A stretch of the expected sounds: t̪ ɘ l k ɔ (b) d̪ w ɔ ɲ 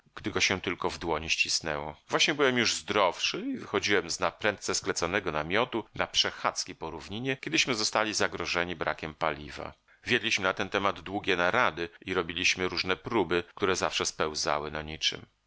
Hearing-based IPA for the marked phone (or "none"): v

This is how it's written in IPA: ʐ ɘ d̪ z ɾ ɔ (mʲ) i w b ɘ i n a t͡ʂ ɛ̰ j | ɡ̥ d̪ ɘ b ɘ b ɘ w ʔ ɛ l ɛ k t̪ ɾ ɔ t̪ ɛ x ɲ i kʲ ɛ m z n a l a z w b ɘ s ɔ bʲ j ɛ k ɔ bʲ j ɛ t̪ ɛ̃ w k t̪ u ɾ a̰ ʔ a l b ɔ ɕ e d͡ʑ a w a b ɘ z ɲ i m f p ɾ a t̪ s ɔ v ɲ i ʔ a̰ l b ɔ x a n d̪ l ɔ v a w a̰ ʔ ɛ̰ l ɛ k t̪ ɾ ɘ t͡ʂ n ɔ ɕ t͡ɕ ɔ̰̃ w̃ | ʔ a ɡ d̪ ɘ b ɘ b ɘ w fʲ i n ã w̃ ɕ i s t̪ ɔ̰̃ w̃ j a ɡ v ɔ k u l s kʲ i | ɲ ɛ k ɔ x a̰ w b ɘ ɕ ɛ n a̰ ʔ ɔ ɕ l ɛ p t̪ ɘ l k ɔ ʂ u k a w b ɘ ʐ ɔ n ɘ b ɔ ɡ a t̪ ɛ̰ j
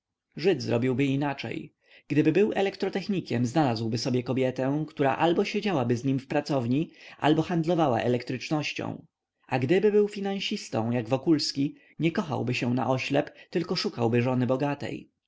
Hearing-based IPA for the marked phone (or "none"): bʲ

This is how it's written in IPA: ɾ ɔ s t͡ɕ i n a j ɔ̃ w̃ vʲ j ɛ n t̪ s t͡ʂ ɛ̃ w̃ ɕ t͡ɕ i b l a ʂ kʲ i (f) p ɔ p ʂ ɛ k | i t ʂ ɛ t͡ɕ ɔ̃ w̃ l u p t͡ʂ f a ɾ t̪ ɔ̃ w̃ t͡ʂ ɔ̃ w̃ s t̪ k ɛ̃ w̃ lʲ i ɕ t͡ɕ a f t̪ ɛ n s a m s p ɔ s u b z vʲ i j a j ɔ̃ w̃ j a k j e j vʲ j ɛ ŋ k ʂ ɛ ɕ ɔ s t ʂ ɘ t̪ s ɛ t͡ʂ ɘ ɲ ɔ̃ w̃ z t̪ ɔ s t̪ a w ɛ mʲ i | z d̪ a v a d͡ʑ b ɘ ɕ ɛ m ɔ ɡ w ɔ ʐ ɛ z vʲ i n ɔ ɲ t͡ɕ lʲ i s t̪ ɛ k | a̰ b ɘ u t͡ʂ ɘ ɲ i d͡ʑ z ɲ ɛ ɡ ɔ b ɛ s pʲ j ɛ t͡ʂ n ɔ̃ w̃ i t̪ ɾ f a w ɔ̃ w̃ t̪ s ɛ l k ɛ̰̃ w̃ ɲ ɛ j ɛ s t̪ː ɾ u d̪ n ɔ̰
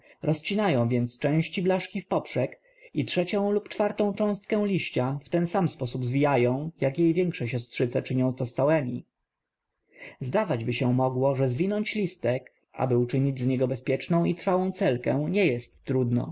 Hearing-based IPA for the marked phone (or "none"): f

